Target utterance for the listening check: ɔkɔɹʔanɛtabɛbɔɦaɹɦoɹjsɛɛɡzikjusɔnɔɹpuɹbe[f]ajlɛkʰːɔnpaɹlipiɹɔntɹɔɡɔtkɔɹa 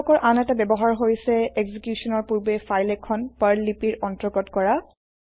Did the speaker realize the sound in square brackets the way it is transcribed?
yes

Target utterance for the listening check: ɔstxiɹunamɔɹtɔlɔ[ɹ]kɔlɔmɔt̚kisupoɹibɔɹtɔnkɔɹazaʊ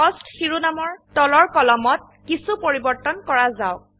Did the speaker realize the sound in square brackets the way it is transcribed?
yes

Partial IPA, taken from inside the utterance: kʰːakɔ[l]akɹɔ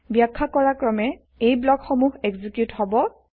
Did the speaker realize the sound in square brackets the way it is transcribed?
no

